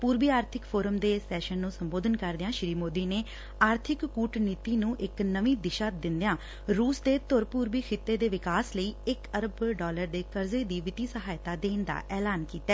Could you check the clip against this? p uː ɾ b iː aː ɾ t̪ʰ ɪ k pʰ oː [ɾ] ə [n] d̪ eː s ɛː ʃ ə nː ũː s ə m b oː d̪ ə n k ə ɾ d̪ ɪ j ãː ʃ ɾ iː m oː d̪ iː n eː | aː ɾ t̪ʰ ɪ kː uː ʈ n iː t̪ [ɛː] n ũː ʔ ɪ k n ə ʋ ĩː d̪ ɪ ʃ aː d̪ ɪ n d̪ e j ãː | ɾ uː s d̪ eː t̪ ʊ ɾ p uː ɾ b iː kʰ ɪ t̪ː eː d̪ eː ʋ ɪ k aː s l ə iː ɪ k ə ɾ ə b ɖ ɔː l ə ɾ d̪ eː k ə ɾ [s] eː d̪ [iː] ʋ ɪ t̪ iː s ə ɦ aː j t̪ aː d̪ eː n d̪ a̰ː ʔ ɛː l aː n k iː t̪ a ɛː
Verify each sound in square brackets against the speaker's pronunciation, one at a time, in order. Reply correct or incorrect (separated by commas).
correct, incorrect, incorrect, incorrect, correct